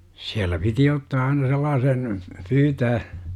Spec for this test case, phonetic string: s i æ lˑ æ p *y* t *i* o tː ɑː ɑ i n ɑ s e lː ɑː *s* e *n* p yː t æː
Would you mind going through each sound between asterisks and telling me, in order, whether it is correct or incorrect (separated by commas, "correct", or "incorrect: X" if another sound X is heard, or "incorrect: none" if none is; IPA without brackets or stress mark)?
incorrect: i, correct, correct, correct